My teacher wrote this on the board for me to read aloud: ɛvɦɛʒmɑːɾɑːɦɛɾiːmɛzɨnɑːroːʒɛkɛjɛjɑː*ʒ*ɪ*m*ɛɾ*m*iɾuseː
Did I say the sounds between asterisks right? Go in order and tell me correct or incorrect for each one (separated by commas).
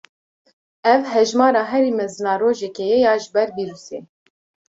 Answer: correct, incorrect, incorrect